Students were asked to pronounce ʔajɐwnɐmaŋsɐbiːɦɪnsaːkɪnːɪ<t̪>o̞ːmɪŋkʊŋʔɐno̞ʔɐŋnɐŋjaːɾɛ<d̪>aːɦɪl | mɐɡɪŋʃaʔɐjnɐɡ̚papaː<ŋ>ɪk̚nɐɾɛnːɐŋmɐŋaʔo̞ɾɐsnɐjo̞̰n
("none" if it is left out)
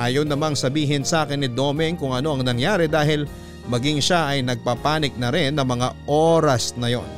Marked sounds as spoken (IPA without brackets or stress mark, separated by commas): d̪, d̪, n